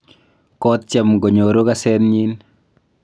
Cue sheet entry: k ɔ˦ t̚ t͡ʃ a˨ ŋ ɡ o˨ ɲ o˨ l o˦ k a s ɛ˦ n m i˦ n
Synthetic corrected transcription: k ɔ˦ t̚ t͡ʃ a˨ m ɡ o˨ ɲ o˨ ɾ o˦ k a s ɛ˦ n ɲ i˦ n

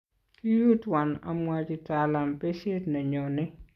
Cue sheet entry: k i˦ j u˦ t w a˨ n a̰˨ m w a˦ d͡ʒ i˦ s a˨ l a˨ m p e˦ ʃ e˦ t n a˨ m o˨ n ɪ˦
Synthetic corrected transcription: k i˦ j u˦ t w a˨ n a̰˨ m w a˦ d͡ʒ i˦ t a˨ l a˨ m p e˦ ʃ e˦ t n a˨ ɲ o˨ n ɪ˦

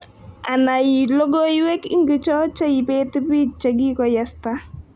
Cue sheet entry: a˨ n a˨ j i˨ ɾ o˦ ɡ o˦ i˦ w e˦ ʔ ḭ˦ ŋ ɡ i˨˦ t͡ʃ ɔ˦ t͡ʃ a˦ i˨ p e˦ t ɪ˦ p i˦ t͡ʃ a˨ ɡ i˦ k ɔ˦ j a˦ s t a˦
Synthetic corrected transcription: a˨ n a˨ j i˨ l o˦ ɡ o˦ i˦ w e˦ k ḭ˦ ŋ ɡ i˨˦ t͡ʃ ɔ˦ t͡ʃ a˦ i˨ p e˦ t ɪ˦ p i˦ t͡ʃ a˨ ɡ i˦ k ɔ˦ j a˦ s t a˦

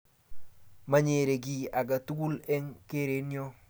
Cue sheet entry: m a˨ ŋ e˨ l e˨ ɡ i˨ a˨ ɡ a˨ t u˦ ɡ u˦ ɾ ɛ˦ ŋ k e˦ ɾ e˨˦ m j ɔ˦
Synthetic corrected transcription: m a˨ ɲ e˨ ɾ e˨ ɡ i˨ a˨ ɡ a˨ t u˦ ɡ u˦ l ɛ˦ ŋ k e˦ ɾ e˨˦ n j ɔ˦

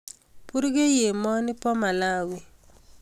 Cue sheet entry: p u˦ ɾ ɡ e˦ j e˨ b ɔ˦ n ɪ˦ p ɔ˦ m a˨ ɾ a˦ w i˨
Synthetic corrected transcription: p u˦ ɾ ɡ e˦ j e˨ m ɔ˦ n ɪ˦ p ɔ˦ m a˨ l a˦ w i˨

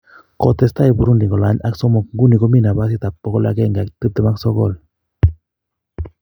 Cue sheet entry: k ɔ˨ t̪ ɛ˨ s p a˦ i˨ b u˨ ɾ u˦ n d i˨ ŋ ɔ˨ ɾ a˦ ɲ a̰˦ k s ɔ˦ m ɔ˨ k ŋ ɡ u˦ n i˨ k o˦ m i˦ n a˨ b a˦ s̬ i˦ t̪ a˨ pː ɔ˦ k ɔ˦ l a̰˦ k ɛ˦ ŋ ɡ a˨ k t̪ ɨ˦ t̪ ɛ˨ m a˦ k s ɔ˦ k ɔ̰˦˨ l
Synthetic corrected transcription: k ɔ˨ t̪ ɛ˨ s t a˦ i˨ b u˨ ɾ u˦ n d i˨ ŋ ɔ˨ l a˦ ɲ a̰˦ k s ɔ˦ m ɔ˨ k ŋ ɡ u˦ n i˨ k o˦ m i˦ n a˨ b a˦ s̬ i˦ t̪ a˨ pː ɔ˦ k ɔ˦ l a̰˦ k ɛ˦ ŋ ɡ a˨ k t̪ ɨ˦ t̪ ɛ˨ m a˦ k s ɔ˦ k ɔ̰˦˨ l

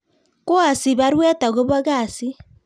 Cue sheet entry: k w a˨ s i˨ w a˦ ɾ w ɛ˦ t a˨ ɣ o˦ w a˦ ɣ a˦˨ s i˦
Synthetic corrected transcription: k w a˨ s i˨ β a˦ ɾ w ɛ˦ t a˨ ɣ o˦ β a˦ ɣ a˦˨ s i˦

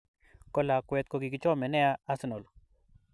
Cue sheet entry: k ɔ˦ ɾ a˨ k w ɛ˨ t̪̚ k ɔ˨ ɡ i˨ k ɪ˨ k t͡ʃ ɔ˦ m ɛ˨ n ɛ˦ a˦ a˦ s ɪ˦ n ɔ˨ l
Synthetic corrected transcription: k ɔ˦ l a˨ k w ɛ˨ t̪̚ k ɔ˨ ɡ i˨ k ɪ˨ t͡ʃ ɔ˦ m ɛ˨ n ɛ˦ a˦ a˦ s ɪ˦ n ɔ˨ l

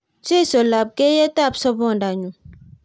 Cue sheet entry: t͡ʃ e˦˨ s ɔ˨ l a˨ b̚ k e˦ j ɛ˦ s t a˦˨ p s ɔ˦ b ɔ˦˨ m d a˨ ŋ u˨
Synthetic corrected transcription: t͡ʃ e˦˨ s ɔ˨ l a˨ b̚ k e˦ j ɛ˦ t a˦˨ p s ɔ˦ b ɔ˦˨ n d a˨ ɲ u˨

